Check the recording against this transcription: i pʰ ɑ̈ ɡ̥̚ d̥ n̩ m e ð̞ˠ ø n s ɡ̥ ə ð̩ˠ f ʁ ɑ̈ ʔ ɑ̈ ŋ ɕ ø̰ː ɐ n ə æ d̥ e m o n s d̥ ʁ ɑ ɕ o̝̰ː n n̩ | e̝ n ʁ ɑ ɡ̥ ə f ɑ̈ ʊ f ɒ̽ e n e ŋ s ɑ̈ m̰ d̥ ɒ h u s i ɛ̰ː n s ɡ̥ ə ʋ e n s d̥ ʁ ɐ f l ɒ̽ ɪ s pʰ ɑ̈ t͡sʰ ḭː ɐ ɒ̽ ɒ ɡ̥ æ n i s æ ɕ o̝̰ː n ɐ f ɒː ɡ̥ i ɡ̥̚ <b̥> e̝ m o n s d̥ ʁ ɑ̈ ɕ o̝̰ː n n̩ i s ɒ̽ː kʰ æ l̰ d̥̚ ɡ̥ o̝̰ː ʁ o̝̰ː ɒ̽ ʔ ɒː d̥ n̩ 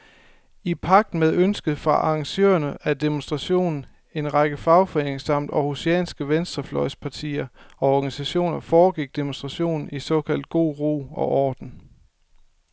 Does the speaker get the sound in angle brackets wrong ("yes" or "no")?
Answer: yes